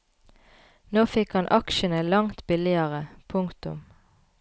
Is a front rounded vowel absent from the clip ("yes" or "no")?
yes